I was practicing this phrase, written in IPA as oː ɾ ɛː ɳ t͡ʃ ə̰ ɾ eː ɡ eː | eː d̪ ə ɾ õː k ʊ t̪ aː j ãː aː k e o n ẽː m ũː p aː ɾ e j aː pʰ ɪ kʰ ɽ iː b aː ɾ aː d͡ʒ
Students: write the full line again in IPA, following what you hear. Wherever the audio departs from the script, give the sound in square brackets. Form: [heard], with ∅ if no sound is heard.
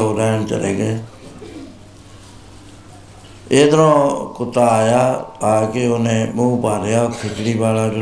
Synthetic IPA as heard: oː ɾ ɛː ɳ t͡ʃ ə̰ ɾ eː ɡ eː | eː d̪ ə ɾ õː k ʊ t̪ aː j [aː] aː k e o n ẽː m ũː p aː ɾ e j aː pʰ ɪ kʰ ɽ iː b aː [l] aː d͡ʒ